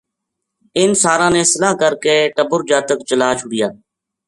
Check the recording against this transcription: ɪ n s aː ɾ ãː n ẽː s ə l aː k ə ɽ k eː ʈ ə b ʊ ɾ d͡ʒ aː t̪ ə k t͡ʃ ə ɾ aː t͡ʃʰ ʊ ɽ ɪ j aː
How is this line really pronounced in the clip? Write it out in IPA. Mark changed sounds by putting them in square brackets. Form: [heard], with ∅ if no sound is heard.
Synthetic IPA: ɪ n s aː ɾ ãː n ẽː s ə l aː k ə [ɾ] k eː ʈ ə b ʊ ɾ d͡ʒ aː t̪ ə k t͡ʃ ə [l] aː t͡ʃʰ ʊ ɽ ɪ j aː